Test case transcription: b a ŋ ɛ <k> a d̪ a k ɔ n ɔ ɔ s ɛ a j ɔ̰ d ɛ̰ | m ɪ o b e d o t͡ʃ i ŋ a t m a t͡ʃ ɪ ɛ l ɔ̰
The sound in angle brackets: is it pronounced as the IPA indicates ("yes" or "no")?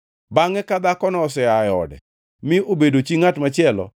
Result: yes